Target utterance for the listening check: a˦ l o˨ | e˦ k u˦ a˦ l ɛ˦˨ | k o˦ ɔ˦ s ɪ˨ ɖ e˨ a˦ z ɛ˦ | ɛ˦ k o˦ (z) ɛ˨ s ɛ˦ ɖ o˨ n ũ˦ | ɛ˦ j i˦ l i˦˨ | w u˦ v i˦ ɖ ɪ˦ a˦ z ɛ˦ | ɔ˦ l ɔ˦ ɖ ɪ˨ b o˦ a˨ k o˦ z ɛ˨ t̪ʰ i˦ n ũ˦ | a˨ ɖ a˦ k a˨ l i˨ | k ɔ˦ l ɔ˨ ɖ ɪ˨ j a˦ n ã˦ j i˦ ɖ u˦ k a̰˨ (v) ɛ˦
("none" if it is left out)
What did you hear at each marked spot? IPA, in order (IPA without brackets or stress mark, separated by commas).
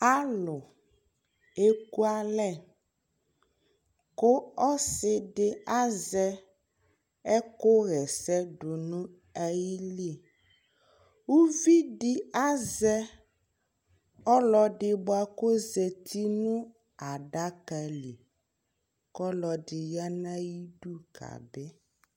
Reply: ɣ, b